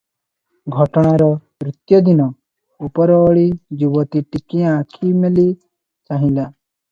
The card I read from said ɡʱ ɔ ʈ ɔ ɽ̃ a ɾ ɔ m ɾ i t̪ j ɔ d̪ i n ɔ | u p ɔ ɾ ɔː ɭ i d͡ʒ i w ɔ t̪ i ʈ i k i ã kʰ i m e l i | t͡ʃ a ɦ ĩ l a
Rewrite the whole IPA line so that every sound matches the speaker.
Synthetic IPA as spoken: ɡʱ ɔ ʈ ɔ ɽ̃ a ɾ ɔ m ɾ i t̪ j ɔ d̪ i n ɔ | u p ɔ ɾ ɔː ɭ i d͡ʒ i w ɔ t̪ i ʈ i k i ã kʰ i m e l i | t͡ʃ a ɦ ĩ l a

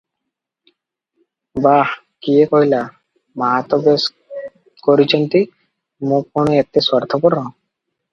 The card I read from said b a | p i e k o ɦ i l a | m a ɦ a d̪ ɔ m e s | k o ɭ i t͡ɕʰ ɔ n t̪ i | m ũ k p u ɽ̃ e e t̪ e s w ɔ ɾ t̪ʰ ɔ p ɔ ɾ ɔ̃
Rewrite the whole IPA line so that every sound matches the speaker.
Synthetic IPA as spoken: b a | k i e k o ɦ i l a | m a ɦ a t̪ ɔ b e s | k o ɾ i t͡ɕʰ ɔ n t̪ i | m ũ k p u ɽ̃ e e t̪ e s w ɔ ɾ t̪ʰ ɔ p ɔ ɾ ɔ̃

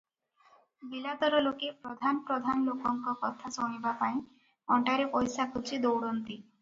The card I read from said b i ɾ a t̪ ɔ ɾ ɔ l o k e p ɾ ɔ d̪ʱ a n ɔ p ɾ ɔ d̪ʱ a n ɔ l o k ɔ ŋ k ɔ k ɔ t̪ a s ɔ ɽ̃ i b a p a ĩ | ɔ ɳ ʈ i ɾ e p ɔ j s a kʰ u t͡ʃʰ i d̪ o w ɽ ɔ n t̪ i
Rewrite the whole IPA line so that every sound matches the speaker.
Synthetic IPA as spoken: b i l a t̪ ɔ ɾ ɔ l o k e p ɾ ɔ d̪ʱ a n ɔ p ɾ ɔ d̪ʱ a n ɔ l o k ɔ ŋ k ɔ k ɔ t̪ʰ a s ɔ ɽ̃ i b a p a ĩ | ɔ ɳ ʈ a ɾ e p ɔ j s a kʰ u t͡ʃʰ i d̪ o w ɽ ɔ n t̪ i

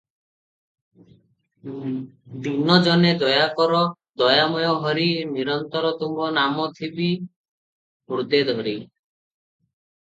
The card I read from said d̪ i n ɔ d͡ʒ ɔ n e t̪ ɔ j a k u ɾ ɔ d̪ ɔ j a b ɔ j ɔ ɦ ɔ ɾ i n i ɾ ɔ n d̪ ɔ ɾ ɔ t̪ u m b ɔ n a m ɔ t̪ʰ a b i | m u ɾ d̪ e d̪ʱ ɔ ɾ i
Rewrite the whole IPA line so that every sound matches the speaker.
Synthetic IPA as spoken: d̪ i n ɔ d͡ʒ ɔ n e d̪ ɔ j a k ɔ ɾ ɔ d̪ ɔ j a m ɔ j ɔ ɦ ɔ ɾ i n i ɾ ɔ n t̪ ɔ ɾ ɔ t̪ u m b ɔ n a m ɔ t̪ʰ i b i | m u ɾ d̪ e d̪ʱ ɔ ɾ i

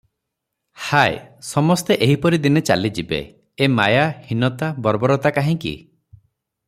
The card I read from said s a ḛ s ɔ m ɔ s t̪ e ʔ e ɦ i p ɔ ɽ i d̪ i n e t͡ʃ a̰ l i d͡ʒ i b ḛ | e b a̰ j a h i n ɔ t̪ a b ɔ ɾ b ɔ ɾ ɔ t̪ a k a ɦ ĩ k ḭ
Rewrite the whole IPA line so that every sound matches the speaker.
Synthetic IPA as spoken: h a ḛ s ɔ m ɔ s t̪ e ʔ e ɦ i p ɔ ɾ i d̪ i n e t͡ʃ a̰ l i d͡ʒ i b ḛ | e m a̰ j a h i n ɔ t̪ a b ɔ ɾ b ɔ ɾ ɔ t̪ a k a ɦ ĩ k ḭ

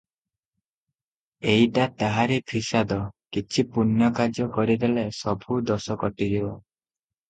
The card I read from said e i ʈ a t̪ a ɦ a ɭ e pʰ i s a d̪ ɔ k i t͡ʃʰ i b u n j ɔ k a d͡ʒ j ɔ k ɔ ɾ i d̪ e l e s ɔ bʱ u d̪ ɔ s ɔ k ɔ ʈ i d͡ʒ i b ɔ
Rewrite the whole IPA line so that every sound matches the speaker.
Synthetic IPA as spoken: e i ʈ a t̪ a ɦ a ɾ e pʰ i s a d̪ ɔ k i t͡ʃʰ i p u n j ɔ k a d͡ʒ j ɔ k ɔ ɾ i d̪ e l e s ɔ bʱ u d̪ ɔ s ɔ k ɔ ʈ i d͡ʒ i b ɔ

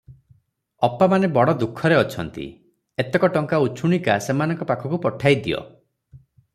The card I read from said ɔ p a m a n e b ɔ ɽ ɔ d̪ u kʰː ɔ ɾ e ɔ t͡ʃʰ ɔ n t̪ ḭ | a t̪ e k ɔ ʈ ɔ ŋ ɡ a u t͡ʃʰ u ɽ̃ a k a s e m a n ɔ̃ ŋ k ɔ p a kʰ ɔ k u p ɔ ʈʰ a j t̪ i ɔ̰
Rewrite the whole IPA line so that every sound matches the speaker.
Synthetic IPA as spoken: ɔ p a m a n e b ɔ ɽ ɔ d̪ u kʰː ɔ ɾ e ɔ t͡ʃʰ ɔ n t̪ ḭ | e t̪ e k ɔ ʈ ɔ ŋ k a u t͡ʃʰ u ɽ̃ i k a s e m a n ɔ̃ ŋ k ɔ p a kʰ ɔ k u p ɔ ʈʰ a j d̪ i ɔ̰

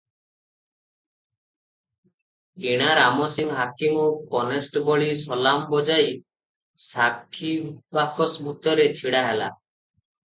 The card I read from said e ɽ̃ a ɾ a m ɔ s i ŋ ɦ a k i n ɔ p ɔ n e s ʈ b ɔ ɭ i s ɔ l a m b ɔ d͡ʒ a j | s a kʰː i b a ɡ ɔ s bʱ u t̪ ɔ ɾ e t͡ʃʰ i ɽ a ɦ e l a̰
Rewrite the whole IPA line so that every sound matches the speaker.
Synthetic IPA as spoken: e ɽ̃ a ɾ a m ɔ s i ŋ ɦ a k i m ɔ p ɔ n e s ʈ b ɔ ɭ i s ɔ l a m b ɔ d͡ʒ a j | s a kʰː i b a k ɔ s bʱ u t̪ ɔ ɾ e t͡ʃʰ i ɽ a ɦ e l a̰

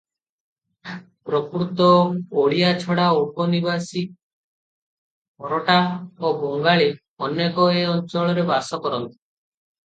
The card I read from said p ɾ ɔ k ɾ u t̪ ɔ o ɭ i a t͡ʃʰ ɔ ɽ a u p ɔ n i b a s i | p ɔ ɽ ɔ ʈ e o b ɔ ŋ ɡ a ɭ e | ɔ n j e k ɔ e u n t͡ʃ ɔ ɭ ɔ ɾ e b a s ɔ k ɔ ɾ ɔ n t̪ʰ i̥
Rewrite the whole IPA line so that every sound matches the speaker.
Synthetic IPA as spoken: p ɾ ɔ k ɾ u t̪ ɔ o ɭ i a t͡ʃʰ ɔ ɽ a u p ɔ n i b a s i | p ɔ ɾ ɔ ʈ a o b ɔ ŋ ɡ a ɭ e | ɔ n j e k ɔ e ɔ n t͡ʃ ɔ ɭ ɔ ɾ e b a s ɔ k ɔ ɾ ɔ n t̪ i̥

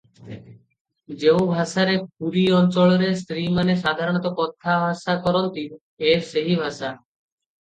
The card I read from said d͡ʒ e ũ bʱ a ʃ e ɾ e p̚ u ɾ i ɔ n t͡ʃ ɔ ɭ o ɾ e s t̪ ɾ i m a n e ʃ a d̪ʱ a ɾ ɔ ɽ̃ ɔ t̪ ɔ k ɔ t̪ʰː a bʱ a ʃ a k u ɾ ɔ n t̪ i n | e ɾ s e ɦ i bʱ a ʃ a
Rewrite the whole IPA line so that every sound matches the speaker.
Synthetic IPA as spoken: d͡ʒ e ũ bʱ a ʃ a ɾ e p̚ u ɾ i ɔ n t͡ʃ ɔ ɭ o ɾ e s t̪ ɾ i m a n e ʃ a d̪ʱ a ɾ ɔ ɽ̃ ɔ t̪ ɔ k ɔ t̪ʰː a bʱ a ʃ a k ɔ ɾ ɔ n t̪ i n | e ɾ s e ɦ i bʱ a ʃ a

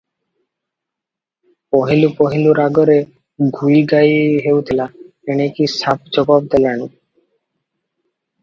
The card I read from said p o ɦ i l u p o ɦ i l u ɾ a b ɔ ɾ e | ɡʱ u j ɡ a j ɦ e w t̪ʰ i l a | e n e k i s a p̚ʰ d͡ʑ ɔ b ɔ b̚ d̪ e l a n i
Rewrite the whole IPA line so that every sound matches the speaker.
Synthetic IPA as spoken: p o ɦ i l u p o ɦ i l u ɾ a ɡ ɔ ɾ e | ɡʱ u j ɡ a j ɦ e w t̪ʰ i l a | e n e k i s a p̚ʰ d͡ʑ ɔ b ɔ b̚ d̪ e l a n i

